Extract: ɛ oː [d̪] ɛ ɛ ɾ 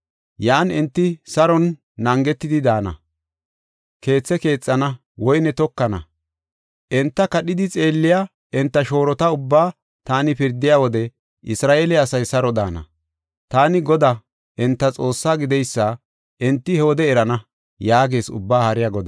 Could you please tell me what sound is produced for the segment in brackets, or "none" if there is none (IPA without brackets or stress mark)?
d̪